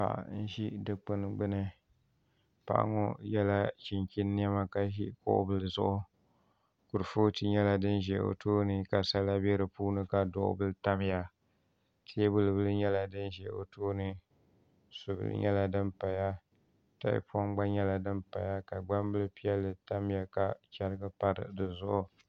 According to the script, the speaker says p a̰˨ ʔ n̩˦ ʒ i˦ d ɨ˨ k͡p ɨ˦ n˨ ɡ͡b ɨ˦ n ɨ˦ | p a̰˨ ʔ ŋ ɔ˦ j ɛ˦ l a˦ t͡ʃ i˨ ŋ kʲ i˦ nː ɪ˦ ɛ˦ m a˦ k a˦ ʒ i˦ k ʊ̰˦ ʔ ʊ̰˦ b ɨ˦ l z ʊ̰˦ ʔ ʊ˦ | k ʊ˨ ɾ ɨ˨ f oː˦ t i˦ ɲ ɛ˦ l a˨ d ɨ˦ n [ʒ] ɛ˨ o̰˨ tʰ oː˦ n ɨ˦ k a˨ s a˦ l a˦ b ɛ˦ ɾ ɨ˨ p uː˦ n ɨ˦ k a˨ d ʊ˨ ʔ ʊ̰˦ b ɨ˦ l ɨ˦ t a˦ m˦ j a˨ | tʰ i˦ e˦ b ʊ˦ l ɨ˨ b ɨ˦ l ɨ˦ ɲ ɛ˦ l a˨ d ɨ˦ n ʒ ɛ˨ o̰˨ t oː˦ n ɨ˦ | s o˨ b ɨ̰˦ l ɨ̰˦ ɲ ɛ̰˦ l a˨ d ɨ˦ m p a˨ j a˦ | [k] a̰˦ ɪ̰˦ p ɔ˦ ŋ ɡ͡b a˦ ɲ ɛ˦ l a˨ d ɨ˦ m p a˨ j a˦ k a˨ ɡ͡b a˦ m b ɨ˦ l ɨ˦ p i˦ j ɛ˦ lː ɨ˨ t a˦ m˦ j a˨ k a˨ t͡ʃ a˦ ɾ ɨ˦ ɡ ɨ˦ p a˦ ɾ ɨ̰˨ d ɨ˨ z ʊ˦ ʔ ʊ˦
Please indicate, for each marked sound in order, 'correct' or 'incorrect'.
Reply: correct, incorrect

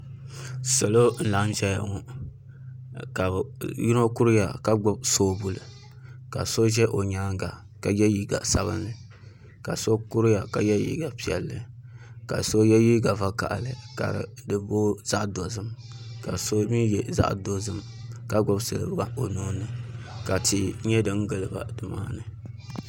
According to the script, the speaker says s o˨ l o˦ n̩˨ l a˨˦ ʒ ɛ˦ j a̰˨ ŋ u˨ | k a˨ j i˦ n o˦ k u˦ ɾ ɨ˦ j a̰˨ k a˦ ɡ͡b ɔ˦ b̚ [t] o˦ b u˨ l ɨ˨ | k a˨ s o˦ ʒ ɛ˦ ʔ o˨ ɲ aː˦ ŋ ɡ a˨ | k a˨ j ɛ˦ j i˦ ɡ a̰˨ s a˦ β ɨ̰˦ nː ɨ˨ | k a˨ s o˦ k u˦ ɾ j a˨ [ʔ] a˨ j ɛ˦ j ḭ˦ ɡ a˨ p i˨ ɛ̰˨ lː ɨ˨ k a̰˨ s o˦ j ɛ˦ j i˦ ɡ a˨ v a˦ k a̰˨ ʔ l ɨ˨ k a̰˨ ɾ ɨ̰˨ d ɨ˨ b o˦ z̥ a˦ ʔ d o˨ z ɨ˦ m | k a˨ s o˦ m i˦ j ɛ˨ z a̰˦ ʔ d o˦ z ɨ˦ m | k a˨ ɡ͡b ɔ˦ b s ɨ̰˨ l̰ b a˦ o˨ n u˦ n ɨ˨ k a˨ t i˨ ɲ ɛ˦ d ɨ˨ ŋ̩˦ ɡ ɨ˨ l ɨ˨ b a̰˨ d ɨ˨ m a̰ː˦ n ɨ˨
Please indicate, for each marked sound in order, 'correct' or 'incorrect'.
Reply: incorrect, incorrect

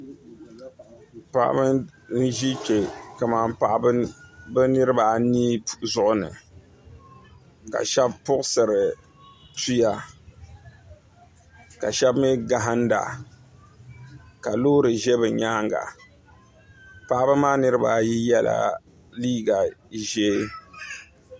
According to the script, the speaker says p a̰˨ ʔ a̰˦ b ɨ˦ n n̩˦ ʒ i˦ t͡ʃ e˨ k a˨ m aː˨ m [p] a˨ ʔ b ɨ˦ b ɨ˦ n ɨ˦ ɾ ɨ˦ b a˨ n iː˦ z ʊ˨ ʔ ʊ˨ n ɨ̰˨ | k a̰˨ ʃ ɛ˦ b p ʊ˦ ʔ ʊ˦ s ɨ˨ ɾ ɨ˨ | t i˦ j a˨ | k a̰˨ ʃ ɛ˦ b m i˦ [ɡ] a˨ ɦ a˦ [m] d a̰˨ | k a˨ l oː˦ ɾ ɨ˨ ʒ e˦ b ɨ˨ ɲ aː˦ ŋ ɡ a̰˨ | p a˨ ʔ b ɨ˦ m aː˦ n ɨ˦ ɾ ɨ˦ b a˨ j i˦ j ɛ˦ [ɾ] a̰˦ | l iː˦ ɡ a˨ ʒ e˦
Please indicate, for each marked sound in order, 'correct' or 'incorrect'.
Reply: correct, correct, incorrect, incorrect

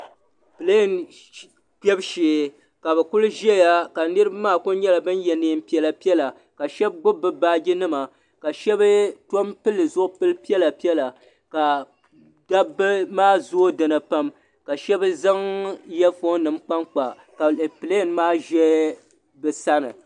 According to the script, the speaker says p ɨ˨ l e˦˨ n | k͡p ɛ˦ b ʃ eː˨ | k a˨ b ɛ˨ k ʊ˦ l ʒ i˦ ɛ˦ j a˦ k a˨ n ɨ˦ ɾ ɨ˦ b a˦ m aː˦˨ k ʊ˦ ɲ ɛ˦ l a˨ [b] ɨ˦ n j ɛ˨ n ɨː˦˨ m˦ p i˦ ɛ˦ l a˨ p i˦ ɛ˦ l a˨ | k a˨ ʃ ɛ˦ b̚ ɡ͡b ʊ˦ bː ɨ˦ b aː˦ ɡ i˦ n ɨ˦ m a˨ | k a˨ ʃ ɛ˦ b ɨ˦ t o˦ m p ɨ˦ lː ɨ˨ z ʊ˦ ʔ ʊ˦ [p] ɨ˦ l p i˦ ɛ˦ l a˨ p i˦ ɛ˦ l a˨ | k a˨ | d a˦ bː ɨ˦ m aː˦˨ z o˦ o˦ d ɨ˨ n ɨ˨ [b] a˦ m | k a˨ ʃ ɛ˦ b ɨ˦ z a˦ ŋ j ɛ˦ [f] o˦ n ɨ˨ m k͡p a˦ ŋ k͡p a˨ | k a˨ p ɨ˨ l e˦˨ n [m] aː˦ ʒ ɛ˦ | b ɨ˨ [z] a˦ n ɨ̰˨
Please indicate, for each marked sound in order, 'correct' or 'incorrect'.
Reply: correct, correct, incorrect, correct, correct, incorrect

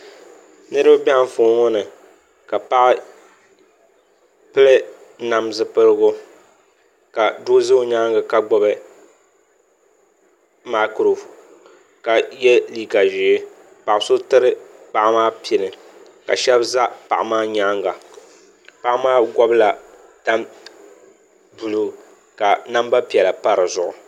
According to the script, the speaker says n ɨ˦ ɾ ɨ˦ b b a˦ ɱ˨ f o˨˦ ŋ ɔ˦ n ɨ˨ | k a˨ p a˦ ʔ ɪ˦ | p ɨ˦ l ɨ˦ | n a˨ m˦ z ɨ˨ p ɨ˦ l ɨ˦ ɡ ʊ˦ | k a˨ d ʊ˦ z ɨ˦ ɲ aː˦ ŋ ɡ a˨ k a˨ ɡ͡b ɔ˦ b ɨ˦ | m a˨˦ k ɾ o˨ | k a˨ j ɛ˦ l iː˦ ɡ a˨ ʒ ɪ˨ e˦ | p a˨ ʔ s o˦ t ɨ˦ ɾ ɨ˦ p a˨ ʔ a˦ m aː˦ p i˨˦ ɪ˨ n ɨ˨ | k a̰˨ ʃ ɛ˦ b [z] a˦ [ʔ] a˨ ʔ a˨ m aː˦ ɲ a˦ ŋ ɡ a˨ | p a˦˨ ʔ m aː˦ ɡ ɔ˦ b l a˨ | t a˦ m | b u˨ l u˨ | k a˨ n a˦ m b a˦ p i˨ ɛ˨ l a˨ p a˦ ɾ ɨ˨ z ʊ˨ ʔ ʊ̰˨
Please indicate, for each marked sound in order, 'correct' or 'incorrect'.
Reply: correct, incorrect

